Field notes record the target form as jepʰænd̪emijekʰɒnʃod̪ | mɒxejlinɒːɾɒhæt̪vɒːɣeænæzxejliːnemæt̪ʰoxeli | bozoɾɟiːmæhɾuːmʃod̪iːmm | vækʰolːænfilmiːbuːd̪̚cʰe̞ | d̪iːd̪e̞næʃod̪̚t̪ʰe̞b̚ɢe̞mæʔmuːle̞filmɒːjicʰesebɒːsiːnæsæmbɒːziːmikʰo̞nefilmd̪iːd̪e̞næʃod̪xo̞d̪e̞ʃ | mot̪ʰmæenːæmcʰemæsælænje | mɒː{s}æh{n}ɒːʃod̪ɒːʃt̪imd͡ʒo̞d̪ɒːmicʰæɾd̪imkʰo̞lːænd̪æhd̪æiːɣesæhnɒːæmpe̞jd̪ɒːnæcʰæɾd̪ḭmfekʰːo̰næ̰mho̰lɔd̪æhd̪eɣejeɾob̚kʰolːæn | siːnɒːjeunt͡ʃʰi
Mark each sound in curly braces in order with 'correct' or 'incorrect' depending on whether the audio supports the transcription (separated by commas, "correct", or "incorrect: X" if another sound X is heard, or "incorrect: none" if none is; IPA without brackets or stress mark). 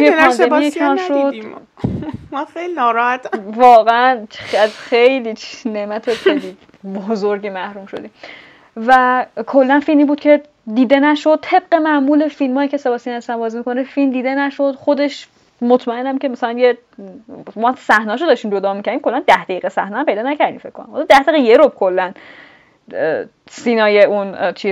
correct, correct